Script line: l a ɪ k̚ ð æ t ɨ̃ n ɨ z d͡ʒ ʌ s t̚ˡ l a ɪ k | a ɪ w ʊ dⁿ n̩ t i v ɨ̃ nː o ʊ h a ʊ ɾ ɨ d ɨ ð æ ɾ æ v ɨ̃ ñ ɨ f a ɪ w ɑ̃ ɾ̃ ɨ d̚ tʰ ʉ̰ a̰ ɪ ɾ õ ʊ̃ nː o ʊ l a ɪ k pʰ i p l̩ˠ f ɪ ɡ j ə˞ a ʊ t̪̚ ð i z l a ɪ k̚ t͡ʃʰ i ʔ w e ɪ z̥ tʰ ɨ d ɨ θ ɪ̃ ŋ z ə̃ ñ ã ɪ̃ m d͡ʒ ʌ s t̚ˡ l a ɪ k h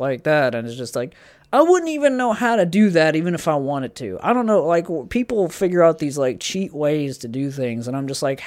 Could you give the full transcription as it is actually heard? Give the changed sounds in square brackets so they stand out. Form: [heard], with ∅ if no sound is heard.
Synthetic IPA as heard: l a ɪ k̚ ð æ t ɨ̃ n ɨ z d͡ʒ ʌ s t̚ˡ l a ɪ k | a ɪ w ʊ dⁿ n̩ t i v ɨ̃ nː o ʊ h a ʊ ɾ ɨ d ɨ ð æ ɾ [i] v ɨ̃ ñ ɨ f a ɪ w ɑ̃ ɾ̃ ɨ d̚ tʰ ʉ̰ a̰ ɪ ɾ õ ʊ̃ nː o ʊ l a ɪ k pʰ i p l̩ˠ f ɪ ɡ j ə˞ a ʊ t̪̚ ð i z l a ɪ k̚ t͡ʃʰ i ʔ w e ɪ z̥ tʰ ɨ d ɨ θ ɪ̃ ŋ z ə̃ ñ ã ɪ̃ m d͡ʒ ʌ s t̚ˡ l a ɪ k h